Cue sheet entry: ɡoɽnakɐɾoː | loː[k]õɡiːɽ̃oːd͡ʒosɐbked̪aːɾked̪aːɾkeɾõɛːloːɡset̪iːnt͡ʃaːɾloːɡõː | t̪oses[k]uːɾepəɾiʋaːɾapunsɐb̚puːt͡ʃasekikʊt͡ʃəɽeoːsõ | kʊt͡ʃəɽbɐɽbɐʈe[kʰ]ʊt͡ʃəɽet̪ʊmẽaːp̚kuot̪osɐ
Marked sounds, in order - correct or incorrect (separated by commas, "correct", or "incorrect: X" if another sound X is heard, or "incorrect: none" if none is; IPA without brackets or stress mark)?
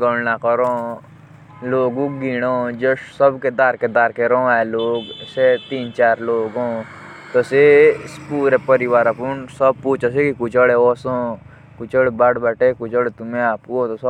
incorrect: ɡ, incorrect: p, incorrect: k